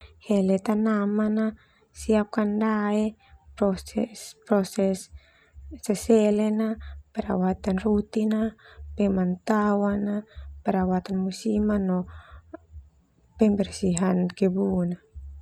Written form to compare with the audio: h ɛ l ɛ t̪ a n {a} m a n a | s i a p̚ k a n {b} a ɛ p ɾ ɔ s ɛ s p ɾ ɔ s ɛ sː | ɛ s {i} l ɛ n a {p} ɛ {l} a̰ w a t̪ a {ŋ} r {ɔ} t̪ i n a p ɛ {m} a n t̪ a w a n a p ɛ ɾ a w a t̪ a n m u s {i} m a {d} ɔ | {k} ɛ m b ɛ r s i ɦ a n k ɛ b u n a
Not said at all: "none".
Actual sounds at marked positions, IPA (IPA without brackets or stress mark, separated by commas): a, d, ɛ, p, ɾ, n, u, m, i, n, p